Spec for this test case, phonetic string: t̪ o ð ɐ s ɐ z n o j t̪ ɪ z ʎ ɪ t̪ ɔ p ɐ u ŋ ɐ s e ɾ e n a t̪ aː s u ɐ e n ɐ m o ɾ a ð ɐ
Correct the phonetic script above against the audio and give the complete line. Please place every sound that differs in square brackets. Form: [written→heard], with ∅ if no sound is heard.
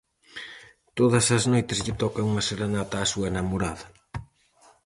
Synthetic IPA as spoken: t̪ o ð ɐ s ɐ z n o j t̪ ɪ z ʎ ɪ t̪ ɔ [p→k] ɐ u ŋ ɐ s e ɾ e n a t̪ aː s u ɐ e n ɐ m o ɾ a ð ɐ